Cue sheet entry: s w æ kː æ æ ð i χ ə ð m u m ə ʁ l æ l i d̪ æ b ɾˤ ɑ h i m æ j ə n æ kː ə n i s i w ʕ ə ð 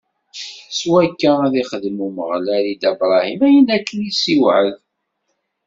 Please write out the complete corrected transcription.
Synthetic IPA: s w æ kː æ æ ð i χ ə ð m u m ə ʁ l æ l i d̪ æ b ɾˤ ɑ h i m æ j ə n æ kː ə n i s i w ʕ ə ð